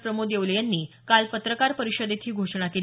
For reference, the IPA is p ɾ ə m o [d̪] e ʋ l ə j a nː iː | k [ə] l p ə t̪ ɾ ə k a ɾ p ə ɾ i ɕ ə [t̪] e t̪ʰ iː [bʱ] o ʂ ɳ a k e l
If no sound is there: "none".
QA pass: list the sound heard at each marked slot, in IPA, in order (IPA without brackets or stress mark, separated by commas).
d̪, a, d̪, ɡʱ